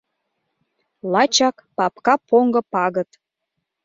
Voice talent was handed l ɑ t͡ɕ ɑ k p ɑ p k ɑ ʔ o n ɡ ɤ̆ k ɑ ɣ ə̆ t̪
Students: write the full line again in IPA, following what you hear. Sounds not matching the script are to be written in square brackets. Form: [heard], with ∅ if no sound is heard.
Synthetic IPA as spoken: l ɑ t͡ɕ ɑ k p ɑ p k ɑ [p] o [ŋ] ɡ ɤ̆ [p] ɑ ɣ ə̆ t̪